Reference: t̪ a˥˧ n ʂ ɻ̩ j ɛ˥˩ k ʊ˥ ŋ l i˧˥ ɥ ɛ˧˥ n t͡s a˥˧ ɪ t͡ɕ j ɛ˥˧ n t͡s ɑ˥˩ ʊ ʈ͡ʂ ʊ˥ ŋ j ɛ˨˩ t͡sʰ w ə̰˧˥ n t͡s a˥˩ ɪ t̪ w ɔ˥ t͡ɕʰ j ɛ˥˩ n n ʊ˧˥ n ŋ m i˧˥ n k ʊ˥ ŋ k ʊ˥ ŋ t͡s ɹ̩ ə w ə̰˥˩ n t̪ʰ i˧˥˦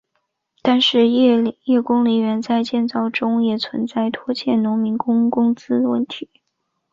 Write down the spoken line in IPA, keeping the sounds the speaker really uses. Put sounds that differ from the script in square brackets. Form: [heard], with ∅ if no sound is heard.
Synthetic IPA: t̪ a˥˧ n ʂ ɻ̩ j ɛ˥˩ k ʊ˥ ŋ l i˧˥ ɥ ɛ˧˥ n t͡s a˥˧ ɪ t͡ɕ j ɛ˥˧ n t͡s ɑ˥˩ ʊ ʈ͡ʂ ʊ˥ ŋ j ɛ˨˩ t͡sʰ w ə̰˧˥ n t͡s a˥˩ ɪ [t̪ʰ] w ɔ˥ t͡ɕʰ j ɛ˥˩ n n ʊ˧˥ [∅] ŋ m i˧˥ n k ʊ˥ ŋ k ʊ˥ ŋ t͡s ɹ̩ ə w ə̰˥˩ n t̪ʰ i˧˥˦